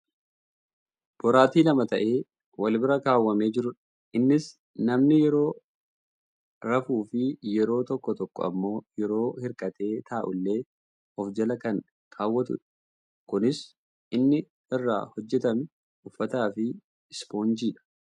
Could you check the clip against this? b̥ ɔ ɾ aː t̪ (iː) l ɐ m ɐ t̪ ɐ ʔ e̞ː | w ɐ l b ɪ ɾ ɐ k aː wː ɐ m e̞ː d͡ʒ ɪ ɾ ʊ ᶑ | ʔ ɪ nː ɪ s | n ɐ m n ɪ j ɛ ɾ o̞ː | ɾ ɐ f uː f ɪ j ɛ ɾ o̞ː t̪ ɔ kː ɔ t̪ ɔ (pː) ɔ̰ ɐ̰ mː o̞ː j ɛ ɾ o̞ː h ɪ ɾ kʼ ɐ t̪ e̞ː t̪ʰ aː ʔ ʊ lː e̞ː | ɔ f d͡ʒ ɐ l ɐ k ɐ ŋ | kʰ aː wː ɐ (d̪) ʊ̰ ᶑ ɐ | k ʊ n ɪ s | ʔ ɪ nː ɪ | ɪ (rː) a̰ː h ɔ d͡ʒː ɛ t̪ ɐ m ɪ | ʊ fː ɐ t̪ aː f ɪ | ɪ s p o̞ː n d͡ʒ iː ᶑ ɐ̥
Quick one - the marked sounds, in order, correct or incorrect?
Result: correct, incorrect, incorrect, correct

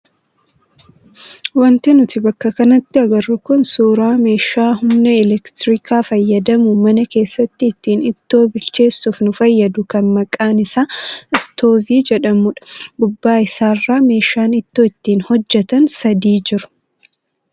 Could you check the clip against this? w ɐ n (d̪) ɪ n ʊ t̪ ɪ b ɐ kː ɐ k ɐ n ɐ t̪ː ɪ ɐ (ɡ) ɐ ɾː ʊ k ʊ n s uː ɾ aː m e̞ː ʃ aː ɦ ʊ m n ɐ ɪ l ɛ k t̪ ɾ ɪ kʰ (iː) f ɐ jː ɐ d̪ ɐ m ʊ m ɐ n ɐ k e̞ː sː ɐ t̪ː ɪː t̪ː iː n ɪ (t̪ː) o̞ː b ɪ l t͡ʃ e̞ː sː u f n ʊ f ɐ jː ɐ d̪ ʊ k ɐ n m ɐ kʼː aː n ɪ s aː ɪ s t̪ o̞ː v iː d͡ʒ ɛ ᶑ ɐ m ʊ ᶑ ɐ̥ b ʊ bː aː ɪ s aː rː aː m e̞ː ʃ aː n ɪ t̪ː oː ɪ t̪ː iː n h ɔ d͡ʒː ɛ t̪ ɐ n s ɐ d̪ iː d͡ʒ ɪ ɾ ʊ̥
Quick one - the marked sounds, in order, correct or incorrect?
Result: incorrect, correct, incorrect, correct

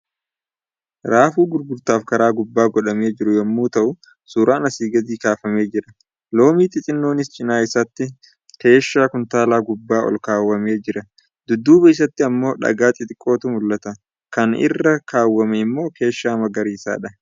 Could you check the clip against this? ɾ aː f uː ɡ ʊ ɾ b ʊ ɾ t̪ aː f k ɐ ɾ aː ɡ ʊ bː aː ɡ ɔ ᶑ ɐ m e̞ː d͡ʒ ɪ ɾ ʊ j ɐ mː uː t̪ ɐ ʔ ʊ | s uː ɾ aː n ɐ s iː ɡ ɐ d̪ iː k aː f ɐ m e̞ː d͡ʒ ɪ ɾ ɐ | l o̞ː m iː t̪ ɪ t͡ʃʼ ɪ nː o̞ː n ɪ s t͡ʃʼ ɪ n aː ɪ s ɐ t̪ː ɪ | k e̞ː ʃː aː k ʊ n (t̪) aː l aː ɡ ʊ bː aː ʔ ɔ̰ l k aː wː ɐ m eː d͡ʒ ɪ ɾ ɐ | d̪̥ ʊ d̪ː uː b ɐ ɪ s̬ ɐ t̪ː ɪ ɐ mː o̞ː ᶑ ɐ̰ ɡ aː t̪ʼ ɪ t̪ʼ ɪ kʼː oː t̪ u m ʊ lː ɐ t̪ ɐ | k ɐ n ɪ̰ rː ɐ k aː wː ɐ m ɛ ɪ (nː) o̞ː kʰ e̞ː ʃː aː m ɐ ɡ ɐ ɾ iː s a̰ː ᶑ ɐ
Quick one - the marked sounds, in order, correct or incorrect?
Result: correct, incorrect

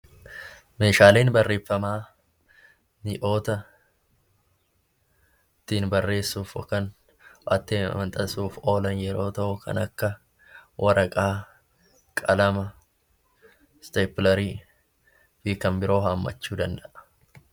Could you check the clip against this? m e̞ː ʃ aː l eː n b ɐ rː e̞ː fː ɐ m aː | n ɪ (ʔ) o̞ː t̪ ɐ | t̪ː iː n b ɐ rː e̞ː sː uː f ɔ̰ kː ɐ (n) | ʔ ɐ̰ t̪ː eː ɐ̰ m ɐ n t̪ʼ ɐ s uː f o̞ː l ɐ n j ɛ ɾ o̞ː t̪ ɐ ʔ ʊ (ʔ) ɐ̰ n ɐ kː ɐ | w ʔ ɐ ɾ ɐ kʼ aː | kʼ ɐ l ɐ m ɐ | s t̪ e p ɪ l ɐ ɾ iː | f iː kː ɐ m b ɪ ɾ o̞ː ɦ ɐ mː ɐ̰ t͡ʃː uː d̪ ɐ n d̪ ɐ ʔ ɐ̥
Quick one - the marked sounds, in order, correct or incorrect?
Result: correct, correct, incorrect

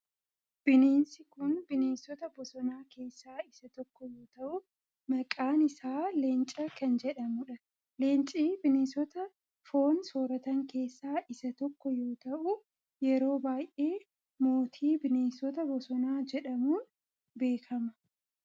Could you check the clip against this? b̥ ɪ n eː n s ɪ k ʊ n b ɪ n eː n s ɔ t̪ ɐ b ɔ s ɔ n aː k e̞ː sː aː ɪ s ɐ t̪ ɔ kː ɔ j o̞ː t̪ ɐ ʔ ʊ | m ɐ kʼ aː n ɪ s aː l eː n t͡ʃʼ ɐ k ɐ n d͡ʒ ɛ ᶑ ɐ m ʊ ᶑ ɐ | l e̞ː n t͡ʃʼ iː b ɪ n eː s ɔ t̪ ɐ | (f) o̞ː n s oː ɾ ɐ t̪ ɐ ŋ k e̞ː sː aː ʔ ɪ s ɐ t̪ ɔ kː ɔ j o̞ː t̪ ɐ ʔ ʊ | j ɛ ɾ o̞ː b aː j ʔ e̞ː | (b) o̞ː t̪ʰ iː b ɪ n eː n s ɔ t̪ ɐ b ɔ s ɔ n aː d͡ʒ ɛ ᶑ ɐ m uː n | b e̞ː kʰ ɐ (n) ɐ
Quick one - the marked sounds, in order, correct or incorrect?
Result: correct, incorrect, incorrect

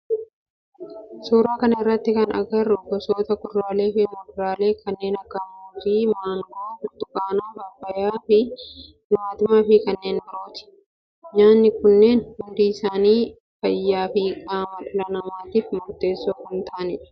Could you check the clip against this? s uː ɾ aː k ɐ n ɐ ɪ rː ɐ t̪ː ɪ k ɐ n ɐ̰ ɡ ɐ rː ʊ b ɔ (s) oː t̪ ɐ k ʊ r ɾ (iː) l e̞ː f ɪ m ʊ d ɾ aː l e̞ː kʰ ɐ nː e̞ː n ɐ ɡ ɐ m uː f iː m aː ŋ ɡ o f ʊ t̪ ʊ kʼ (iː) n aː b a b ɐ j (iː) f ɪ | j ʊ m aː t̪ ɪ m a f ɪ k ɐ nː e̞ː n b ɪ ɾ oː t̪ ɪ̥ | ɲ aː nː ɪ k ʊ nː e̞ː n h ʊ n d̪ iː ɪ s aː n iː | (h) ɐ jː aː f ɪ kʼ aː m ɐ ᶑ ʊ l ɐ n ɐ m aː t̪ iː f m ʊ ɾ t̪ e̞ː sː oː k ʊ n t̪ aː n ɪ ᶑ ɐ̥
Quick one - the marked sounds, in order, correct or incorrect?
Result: correct, incorrect, incorrect, incorrect, incorrect

